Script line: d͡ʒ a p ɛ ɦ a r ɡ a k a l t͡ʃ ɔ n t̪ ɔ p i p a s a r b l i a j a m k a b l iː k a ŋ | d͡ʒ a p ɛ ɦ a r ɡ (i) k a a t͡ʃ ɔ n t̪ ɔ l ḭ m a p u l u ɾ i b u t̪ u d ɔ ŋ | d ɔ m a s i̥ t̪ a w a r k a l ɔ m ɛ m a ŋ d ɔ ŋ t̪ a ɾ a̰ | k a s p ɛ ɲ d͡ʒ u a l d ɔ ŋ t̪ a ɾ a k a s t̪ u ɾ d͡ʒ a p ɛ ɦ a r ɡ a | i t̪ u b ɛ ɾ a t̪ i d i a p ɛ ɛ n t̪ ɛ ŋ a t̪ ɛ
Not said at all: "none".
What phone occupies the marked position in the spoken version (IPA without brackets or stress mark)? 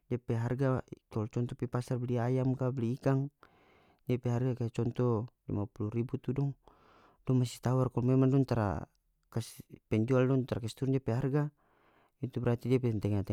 a